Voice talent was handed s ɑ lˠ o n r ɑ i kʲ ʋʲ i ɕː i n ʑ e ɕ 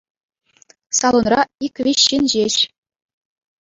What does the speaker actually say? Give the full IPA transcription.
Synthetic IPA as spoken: s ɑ lˠ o n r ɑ i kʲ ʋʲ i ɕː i n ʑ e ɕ